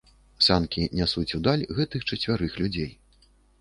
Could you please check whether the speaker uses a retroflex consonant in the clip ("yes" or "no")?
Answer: yes